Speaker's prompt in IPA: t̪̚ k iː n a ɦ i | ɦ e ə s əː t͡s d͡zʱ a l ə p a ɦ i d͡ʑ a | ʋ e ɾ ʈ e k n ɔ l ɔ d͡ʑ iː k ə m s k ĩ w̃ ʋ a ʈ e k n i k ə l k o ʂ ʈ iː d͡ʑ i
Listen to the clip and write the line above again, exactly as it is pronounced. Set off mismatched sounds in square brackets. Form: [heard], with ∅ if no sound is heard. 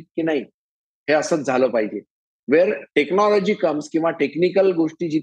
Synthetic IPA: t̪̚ k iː n a ɦ i | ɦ e ə s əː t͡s d͡zʱ a l ə p a ɦ i d͡ʑ [e] | ʋ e ɾ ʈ e k n ɔ l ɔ d͡ʑ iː k ə m s k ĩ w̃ ʋ a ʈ e k n i k ə l [ɡ] o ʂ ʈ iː d͡ʑ i